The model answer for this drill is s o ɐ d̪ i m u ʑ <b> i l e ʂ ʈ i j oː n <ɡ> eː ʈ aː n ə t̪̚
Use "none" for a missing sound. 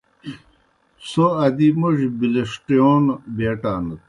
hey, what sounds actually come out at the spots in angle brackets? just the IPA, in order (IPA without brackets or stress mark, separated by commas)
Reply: b, b